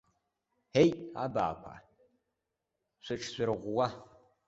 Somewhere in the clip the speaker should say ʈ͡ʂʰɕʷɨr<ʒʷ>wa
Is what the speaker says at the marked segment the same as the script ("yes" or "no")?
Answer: no